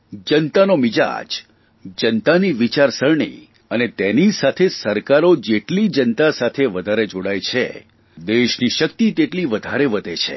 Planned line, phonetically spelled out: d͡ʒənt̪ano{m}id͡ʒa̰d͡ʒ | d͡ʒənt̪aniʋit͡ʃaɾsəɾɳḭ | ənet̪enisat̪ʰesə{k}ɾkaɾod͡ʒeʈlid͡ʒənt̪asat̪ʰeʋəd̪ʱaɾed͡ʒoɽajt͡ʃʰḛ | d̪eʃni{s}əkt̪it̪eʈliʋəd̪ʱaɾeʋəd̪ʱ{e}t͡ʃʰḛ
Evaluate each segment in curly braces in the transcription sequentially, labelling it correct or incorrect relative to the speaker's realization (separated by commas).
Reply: correct, incorrect, incorrect, correct